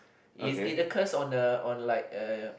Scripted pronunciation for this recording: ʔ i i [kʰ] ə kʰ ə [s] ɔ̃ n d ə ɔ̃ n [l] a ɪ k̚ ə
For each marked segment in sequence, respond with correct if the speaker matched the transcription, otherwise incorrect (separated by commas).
incorrect, correct, correct